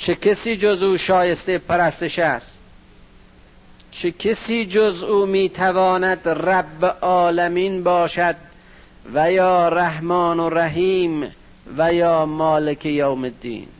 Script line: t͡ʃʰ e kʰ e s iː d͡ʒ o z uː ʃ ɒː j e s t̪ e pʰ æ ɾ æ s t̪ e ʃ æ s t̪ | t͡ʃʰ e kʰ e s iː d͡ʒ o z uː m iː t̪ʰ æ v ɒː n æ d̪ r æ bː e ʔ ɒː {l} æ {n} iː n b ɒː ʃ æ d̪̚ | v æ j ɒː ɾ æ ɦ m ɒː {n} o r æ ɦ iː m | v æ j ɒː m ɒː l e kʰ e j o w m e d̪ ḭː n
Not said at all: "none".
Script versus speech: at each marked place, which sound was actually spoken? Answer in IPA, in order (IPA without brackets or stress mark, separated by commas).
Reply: l, m, n